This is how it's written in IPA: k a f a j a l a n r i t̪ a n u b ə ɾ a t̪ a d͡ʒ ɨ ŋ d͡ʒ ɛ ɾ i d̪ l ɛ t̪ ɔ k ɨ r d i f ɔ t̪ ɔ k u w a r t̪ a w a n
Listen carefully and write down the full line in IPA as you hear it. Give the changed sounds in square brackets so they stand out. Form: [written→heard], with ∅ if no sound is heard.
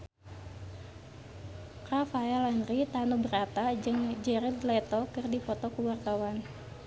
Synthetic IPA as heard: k a f a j a l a n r i t̪ a n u b ə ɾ a t̪ a d͡ʒ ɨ ŋ d͡ʒ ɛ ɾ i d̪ l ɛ t̪ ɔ k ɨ r d i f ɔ t̪ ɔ k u w a r t̪ a w a n